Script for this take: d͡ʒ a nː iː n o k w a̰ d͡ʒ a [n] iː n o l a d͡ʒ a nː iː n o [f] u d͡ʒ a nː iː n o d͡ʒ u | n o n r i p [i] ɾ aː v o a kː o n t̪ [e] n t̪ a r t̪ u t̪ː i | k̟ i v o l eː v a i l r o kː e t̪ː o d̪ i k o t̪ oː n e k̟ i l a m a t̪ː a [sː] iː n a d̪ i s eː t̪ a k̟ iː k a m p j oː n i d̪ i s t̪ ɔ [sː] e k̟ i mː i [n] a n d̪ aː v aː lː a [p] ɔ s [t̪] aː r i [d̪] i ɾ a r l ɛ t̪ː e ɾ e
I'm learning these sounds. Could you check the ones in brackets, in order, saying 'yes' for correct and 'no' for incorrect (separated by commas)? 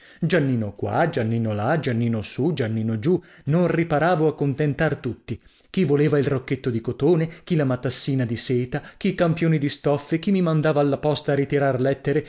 no, no, no, yes, yes, no, no, yes, yes, no